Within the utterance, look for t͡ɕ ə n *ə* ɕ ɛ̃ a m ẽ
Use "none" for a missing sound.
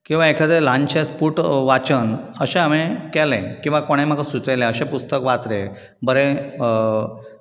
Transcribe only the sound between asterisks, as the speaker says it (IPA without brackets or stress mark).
ə